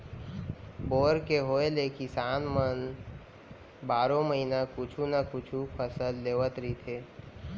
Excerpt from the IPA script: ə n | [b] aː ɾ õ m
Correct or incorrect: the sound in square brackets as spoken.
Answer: correct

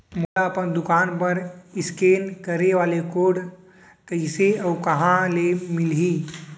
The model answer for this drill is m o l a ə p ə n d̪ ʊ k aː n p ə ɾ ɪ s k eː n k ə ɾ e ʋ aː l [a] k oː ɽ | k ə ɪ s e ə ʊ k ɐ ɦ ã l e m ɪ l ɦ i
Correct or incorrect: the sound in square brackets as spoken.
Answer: incorrect: e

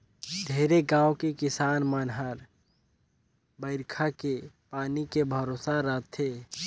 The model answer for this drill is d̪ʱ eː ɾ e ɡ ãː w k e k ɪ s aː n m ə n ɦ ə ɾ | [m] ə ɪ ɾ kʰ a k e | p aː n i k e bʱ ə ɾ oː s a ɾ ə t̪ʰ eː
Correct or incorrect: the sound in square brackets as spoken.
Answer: incorrect: b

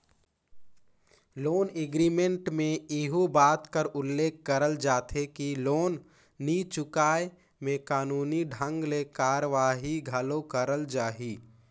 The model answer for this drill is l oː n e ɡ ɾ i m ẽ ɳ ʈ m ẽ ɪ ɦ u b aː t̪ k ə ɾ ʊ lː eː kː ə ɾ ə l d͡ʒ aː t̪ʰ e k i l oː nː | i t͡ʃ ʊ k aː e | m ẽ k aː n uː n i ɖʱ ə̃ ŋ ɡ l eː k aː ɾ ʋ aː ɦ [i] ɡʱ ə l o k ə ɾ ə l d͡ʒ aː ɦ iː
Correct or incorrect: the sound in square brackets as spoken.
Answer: correct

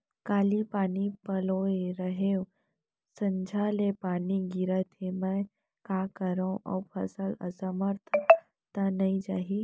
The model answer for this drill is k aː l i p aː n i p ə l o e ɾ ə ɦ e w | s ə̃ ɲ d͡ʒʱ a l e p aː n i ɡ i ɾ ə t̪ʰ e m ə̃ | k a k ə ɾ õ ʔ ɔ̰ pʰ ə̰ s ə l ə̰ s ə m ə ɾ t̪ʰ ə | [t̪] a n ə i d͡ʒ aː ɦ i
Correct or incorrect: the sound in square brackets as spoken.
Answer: correct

